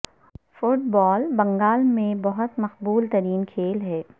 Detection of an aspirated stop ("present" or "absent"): present